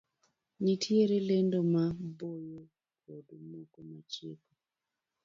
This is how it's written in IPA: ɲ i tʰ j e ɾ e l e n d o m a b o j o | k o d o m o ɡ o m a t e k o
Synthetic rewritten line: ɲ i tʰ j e ɾ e l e n d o m a b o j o | k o d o m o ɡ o m a t͡ʃ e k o